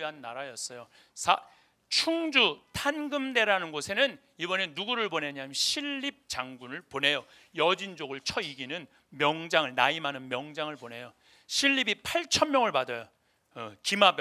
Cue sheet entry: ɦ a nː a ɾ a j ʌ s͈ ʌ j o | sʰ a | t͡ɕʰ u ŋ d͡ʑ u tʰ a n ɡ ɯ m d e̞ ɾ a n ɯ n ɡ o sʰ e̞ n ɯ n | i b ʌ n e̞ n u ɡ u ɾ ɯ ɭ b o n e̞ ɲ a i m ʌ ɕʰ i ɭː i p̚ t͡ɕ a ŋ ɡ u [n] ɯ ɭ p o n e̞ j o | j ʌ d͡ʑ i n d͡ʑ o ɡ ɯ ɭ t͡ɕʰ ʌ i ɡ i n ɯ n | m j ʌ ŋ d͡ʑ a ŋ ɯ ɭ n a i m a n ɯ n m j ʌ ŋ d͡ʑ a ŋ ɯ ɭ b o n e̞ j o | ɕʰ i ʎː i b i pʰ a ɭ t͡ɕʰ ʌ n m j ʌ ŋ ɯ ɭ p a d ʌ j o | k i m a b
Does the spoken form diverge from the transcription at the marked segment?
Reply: no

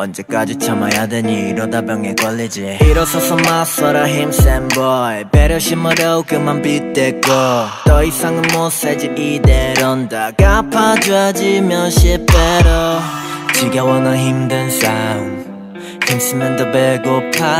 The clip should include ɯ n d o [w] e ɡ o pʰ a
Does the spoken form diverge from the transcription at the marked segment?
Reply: yes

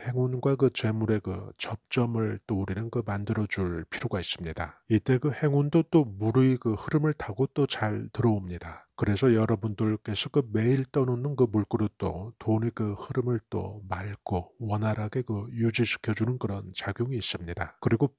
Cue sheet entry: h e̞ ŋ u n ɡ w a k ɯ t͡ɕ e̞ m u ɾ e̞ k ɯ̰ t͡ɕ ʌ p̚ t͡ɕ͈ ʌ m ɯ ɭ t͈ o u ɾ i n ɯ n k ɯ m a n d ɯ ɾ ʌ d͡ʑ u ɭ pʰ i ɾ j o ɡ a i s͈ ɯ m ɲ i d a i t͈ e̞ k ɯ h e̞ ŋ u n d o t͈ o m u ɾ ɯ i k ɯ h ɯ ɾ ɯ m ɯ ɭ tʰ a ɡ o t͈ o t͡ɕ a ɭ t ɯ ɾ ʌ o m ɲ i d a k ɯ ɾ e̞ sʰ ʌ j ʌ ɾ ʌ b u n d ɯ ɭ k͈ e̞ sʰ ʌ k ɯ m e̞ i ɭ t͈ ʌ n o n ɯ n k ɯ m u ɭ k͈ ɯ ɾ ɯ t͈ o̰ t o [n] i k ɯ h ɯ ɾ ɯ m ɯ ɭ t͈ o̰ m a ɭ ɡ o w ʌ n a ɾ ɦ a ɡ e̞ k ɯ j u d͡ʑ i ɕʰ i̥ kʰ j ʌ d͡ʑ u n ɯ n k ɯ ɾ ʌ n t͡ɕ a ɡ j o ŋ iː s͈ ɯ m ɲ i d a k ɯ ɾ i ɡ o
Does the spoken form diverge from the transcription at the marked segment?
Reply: no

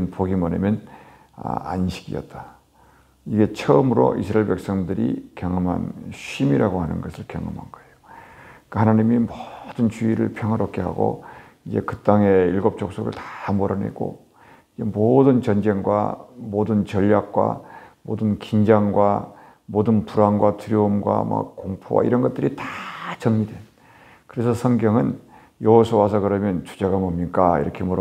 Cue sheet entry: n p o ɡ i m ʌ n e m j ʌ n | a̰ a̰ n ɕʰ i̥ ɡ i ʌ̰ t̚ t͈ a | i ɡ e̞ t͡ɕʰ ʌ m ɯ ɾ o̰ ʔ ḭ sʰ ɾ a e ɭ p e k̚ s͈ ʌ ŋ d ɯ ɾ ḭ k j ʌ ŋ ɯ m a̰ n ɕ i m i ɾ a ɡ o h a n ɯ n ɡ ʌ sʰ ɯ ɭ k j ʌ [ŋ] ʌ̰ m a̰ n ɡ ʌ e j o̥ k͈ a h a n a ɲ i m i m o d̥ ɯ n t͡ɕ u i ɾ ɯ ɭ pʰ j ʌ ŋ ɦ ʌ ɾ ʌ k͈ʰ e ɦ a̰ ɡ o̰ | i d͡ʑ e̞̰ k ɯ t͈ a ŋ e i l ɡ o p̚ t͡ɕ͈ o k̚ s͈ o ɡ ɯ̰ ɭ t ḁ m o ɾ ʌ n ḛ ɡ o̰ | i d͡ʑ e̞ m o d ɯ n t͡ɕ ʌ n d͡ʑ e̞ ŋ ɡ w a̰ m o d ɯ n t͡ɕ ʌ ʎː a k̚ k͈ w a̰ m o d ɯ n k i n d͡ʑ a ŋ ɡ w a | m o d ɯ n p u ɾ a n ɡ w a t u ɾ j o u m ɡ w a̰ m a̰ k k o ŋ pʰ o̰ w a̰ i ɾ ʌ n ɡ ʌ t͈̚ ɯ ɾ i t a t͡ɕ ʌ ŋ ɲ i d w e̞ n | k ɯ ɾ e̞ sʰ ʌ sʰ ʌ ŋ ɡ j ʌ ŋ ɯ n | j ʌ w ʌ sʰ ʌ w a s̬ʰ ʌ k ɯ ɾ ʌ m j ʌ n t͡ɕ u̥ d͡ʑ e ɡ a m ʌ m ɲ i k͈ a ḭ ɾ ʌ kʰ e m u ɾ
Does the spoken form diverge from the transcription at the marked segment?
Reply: no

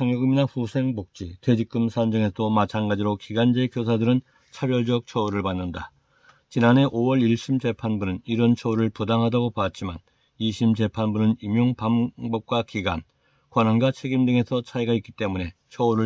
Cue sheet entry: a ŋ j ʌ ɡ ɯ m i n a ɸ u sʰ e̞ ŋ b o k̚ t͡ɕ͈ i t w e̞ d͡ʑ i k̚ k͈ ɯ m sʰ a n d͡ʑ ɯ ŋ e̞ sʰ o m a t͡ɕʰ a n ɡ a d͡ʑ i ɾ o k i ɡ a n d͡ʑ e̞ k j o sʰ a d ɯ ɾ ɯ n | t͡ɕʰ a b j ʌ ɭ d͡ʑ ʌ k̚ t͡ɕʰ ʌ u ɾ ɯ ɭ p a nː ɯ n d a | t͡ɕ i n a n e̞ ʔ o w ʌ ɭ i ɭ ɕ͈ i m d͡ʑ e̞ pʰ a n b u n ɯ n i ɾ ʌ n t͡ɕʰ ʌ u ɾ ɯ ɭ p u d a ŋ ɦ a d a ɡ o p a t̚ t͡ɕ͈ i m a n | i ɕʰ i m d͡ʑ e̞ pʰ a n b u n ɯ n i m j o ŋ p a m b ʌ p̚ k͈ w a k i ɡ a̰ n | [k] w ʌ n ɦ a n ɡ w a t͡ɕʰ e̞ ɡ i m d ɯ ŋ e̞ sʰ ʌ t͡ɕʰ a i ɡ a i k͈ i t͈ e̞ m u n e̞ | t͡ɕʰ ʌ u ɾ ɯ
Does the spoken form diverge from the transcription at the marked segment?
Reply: no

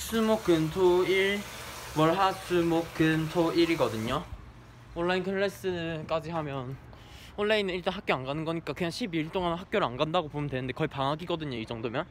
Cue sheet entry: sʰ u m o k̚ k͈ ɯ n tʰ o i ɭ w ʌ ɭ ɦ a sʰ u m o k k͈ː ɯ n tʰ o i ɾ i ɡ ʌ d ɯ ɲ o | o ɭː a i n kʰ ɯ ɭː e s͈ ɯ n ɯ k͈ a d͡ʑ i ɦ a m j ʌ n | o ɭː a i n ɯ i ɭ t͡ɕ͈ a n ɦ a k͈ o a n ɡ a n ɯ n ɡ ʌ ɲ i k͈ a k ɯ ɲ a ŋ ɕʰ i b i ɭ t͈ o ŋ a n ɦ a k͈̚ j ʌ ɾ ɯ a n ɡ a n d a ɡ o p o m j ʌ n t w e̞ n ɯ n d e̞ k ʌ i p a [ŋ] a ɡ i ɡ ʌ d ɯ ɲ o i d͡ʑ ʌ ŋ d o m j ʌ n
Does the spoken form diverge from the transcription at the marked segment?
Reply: no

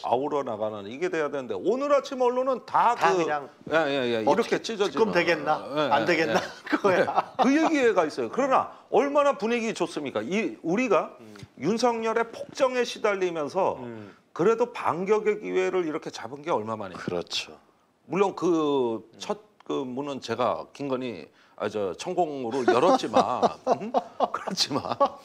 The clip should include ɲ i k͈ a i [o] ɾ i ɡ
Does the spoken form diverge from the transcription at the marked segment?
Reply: yes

